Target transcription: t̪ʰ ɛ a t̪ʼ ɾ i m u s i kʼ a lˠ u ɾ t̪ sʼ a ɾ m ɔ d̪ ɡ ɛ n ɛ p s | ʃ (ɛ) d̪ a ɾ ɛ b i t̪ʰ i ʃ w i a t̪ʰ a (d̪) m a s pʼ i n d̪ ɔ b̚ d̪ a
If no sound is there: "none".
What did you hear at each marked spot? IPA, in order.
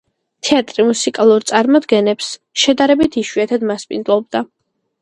ɛ, d̪

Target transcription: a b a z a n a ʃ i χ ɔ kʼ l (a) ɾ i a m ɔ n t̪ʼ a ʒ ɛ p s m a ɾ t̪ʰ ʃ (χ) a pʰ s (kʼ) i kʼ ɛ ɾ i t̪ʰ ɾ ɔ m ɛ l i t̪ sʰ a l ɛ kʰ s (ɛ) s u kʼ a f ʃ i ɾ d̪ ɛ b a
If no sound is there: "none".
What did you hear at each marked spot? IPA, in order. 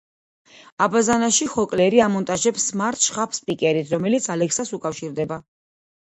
ɛ, χ, pʼ, a

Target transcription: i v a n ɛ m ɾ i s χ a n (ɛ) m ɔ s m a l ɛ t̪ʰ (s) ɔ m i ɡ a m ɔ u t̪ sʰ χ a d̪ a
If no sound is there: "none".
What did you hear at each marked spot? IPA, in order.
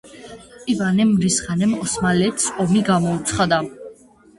ɛ, s

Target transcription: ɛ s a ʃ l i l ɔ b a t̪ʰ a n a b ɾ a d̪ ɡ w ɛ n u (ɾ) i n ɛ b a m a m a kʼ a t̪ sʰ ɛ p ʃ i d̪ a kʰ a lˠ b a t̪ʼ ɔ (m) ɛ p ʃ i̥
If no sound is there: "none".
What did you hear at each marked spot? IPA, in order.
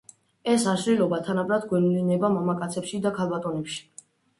l, n

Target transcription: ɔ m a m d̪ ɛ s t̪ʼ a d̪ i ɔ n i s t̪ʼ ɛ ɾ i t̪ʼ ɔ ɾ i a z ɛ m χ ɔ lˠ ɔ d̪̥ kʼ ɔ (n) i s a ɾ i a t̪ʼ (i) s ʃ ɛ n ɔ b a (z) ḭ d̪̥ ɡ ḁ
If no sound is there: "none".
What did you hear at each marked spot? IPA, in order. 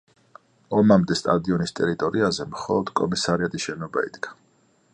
m, i, none

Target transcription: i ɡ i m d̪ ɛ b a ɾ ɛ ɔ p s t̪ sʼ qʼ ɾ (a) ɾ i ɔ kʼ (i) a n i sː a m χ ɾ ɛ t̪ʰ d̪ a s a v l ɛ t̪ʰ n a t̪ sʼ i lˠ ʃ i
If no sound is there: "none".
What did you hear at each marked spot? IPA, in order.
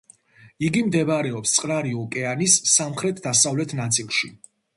a, ɛ

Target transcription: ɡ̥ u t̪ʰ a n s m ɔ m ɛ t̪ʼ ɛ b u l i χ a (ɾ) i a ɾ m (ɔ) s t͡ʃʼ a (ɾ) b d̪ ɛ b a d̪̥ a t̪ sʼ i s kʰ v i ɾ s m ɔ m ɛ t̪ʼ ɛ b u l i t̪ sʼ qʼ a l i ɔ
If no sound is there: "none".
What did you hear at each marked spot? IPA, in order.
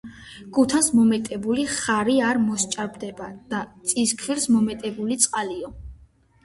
ɾ, ɔ, ɾ

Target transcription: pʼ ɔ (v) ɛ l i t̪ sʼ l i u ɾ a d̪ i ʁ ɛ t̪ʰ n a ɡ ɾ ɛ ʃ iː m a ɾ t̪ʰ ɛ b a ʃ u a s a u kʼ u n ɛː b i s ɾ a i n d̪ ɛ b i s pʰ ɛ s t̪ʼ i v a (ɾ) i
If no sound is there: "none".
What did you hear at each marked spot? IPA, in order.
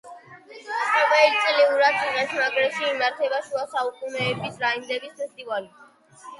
v, l

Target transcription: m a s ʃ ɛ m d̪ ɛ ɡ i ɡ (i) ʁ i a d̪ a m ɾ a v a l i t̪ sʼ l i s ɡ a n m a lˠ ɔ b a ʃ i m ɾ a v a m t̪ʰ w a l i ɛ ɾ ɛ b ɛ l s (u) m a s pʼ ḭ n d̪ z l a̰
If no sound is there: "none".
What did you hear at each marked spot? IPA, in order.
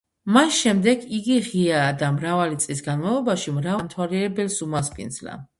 i, u

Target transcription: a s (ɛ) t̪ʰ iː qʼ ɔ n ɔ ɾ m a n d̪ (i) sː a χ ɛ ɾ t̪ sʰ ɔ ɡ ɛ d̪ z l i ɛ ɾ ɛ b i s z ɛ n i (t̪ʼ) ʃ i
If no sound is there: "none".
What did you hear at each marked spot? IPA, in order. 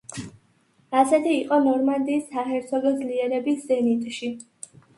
ɛ, iː, t̪ʼ

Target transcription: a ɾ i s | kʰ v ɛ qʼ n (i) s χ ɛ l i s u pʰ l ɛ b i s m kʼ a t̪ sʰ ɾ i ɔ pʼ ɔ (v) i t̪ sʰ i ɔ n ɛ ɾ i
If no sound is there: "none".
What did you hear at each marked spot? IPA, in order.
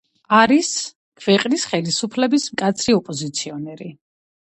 i, z

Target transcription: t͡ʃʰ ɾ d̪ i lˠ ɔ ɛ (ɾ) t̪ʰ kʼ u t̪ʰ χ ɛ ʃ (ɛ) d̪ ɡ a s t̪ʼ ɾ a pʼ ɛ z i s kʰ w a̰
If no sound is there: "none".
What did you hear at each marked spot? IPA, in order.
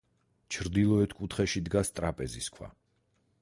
none, i

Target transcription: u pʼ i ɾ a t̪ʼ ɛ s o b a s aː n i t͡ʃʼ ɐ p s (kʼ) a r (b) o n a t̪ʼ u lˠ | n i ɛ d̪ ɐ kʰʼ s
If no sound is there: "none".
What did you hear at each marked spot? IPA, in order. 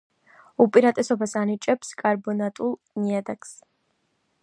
kʼ, b

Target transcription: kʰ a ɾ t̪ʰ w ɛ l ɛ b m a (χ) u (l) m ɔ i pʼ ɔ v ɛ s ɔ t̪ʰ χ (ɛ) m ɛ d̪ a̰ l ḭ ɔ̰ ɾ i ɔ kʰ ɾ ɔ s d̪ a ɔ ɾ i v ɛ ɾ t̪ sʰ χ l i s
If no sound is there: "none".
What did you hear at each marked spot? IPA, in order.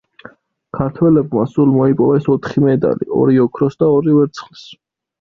s, l, i

